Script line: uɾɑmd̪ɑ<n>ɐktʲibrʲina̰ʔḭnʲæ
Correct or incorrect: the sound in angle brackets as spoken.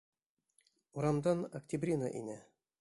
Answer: correct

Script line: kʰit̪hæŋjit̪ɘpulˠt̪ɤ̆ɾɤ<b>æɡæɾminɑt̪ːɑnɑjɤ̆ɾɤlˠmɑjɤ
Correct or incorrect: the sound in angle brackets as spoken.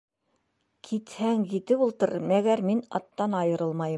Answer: incorrect: m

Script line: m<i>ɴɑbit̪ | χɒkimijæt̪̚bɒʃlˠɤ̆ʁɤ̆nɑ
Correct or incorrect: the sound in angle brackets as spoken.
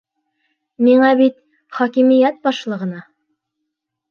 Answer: correct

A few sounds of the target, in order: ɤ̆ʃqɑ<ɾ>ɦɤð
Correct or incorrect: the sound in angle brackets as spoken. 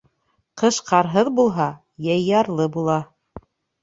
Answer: correct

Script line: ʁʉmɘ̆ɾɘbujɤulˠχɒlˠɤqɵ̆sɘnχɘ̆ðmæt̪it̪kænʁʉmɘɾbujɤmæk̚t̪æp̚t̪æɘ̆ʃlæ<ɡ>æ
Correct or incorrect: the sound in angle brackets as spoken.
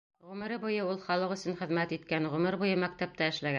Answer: correct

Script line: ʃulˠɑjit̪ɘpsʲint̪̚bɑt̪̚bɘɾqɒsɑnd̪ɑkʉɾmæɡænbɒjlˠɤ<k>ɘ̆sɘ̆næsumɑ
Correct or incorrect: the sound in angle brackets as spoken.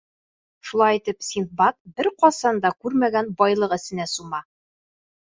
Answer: incorrect: q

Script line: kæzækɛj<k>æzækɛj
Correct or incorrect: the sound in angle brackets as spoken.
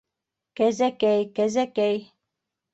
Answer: correct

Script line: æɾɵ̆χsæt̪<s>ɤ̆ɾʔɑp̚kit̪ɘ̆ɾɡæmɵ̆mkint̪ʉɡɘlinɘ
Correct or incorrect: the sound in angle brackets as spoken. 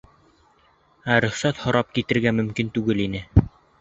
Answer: incorrect: h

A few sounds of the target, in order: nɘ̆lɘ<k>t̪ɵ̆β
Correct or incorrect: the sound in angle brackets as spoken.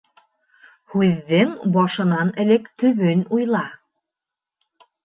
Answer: correct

